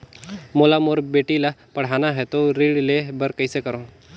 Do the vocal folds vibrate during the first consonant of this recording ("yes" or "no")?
yes